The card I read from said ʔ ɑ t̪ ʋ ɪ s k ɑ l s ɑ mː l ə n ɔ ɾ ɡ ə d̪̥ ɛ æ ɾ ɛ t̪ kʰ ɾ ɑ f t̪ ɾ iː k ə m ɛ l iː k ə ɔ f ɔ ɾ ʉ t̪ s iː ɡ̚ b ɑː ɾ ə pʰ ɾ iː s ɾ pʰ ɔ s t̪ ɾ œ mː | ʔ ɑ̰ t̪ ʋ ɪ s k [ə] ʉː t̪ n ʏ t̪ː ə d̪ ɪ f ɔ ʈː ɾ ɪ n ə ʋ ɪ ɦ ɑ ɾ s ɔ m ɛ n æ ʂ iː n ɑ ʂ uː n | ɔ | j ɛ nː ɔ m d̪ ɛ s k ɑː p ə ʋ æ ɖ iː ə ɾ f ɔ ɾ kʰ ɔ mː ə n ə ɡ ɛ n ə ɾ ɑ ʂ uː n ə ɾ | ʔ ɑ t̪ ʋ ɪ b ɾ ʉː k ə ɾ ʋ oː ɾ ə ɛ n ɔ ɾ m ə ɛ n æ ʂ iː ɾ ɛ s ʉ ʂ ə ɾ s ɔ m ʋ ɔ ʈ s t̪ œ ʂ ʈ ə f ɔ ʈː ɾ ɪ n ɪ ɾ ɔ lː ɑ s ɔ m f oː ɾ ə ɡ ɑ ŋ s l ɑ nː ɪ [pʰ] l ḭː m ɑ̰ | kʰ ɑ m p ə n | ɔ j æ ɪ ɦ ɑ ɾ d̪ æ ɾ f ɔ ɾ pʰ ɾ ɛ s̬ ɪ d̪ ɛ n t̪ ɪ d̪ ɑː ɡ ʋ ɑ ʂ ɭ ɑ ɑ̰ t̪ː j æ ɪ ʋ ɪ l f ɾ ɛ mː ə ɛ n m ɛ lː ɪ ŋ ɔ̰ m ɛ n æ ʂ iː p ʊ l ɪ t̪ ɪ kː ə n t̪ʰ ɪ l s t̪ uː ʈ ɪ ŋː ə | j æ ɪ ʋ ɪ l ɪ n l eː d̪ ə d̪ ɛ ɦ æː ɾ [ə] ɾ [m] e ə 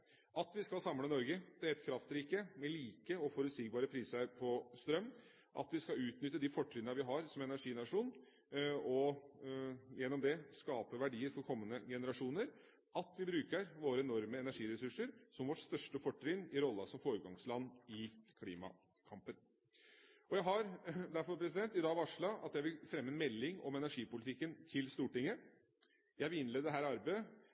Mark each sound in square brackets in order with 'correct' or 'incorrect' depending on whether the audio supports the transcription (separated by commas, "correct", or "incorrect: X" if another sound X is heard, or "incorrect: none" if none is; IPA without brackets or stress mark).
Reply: incorrect: ɑ, incorrect: kʰ, incorrect: ɑ, incorrect: b